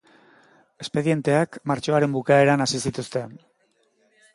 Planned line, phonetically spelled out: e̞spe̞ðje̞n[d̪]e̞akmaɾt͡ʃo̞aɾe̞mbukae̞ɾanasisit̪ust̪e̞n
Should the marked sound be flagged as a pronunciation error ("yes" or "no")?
yes